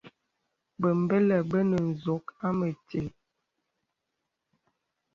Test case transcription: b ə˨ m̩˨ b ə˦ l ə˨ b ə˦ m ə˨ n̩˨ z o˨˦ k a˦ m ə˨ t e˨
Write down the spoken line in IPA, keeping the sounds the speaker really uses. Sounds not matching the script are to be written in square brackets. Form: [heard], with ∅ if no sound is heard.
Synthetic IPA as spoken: b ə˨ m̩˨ b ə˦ l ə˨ b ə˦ [n] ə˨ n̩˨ z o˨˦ k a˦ m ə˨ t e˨